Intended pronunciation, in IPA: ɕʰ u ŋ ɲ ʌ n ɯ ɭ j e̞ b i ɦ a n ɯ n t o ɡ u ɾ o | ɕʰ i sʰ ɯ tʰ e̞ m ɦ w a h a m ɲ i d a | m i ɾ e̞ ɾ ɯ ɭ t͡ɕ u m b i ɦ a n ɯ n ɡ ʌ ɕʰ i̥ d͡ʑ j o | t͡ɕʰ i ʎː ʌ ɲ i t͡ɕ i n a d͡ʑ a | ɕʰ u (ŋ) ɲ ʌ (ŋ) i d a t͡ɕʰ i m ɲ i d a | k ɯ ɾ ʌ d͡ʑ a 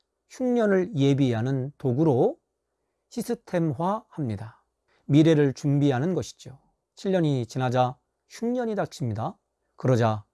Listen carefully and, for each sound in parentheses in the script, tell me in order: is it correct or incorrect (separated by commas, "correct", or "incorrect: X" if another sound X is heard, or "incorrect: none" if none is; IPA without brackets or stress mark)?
correct, incorrect: ɲ